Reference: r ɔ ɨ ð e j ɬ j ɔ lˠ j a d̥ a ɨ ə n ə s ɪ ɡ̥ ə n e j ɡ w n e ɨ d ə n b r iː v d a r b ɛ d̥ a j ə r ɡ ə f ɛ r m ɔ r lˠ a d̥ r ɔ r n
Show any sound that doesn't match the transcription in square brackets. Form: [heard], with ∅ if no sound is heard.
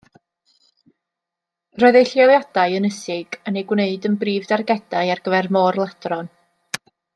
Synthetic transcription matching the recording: r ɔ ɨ ð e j ɬ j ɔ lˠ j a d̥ a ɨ ə n ə s ɪ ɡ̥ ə n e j ɡ w n e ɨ d ə n b r iː v d a r [ɡ] ɛ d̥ a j [a] r ɡ ə [v] ɛ r m ɔ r lˠ a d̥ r ɔ [∅] n